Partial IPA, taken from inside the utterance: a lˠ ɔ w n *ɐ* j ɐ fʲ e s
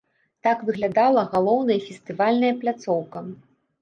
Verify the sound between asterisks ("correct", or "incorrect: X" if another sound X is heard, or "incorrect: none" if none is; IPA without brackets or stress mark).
correct